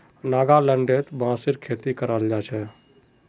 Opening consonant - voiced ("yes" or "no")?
yes